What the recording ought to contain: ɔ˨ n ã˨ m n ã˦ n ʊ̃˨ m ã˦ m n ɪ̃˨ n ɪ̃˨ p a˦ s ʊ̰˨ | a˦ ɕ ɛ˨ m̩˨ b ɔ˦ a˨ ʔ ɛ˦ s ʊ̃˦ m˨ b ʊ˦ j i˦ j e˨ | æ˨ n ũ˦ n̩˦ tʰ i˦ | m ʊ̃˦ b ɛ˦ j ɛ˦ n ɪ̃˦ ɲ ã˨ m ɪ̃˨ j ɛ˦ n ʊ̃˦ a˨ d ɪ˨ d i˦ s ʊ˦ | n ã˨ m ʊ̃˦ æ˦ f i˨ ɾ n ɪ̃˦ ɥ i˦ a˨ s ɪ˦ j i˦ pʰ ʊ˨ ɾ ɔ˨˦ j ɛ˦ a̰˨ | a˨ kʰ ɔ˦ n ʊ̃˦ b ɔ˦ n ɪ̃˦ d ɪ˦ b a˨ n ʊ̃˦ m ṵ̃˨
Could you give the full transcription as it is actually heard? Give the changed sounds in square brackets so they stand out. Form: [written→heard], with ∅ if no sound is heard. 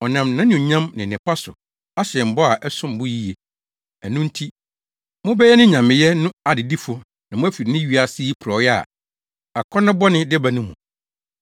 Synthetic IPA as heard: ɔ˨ n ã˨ m n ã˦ n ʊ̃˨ [m→ɲ] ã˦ m n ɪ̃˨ n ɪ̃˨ p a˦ s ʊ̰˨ | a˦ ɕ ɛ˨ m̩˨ b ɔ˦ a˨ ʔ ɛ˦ s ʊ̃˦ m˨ b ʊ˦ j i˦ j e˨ | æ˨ n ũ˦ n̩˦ tʰ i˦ | m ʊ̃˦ b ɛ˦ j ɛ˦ n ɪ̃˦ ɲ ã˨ m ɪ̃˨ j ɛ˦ n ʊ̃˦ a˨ d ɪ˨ d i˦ [s→f] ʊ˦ | n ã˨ m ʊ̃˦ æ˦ f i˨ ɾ n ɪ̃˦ ɥ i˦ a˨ s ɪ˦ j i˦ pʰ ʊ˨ ɾ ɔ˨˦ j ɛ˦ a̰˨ | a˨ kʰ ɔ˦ n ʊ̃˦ b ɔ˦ n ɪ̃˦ d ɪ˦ b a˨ n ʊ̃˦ m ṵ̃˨